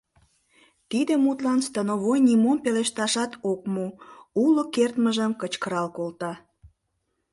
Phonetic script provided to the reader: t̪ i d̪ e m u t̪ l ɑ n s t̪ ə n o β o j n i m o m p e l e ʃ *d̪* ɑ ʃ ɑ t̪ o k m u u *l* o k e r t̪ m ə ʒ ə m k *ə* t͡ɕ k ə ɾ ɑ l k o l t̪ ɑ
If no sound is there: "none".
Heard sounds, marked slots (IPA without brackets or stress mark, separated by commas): t̪, l, ə